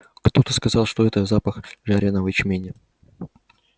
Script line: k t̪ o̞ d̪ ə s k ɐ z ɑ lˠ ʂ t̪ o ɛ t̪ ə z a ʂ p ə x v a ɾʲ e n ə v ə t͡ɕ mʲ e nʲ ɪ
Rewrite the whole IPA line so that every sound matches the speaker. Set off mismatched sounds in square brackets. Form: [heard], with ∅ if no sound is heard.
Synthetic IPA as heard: k t̪ o̞ [t̪] ə s k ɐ z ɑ lˠ ʂ t̪ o ɛ t̪ ə z a [∅] p ə x [ʐ] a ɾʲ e n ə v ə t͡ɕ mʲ e nʲ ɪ